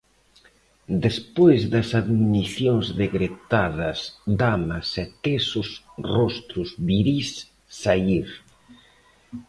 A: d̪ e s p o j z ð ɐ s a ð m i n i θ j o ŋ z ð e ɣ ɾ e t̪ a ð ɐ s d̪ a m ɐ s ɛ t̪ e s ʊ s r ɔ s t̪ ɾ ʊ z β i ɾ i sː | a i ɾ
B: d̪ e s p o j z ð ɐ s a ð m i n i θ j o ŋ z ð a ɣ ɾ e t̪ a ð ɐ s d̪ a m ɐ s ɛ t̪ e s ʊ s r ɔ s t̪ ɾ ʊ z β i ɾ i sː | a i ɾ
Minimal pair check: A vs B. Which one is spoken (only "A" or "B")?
A